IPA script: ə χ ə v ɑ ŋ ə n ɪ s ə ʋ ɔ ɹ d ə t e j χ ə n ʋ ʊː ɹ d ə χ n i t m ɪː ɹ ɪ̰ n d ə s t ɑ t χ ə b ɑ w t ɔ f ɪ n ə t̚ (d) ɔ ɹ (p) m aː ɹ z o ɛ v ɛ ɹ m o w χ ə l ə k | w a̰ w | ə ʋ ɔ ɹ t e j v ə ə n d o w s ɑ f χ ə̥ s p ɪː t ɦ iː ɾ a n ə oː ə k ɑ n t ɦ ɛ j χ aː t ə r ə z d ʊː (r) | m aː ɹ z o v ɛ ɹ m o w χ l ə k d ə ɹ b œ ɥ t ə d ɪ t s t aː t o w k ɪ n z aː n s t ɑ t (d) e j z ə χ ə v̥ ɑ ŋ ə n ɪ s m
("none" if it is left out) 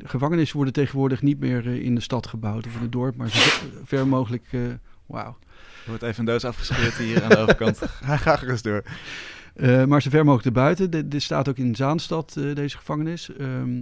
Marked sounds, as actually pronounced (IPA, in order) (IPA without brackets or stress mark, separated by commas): d, p, ɹ, d